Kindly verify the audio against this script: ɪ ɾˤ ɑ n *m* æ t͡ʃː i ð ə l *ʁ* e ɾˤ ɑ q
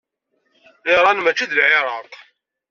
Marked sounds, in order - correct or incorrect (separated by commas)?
correct, incorrect